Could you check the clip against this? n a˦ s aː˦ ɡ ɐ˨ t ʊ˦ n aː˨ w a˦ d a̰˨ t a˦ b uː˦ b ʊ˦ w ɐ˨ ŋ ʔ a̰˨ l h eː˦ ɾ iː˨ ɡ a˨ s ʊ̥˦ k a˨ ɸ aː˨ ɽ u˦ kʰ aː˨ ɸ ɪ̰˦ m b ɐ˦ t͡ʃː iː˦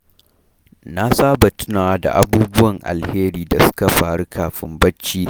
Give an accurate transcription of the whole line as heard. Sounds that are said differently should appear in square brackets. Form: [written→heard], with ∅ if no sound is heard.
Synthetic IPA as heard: n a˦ s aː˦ [ɡ→b] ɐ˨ t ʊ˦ n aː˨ w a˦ d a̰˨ [t→ʔ] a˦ b uː˦ b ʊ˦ w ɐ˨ ŋ ʔ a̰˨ l h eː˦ ɾ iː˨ [ɡ→d] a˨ s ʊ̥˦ k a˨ ɸ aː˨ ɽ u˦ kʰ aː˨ ɸ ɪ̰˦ m b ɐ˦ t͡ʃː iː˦